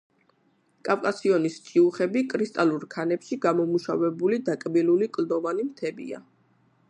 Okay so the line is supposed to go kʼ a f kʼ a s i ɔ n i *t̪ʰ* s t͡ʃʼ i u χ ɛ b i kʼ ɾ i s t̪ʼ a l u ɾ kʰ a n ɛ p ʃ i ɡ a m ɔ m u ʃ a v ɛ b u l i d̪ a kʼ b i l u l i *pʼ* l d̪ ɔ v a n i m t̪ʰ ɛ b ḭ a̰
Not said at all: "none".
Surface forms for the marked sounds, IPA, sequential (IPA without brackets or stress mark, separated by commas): none, kʼ